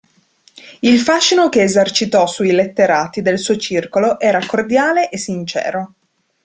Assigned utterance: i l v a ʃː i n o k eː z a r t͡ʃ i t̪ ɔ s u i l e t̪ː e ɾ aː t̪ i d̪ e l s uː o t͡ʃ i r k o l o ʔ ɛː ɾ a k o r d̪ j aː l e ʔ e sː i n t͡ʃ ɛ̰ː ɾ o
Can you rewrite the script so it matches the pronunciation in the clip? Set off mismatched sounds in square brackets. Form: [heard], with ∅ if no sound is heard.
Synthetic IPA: i l [f] a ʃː i n o k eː z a r t͡ʃ i t̪ ɔ s u i l e t̪ː e ɾ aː t̪ i d̪ e l s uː o t͡ʃ i r k o l o ʔ ɛː ɾ a k o r d̪ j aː l e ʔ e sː i n t͡ʃ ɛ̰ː ɾ o